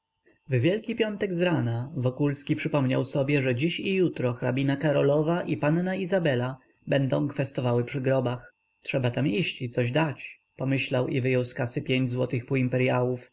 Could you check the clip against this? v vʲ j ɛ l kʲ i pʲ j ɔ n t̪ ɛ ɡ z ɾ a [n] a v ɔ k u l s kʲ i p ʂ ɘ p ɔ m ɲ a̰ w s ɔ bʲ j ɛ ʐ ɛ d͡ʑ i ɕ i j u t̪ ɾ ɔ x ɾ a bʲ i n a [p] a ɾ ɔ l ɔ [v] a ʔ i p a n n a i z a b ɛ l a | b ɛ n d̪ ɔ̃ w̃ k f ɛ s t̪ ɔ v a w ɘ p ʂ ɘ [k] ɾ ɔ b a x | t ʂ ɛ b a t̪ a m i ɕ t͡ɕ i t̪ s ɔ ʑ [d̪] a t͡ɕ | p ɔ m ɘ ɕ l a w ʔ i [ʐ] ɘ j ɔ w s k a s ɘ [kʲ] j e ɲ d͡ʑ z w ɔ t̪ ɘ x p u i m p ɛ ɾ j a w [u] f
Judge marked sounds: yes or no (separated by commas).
yes, no, yes, no, yes, no, no, yes